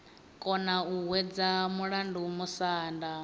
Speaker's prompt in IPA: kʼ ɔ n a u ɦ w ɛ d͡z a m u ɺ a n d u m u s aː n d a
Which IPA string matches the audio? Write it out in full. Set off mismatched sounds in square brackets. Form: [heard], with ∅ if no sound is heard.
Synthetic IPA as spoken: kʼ ɔ n a u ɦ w ɛ d͡z a m u ɺ a n d u m u s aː n d a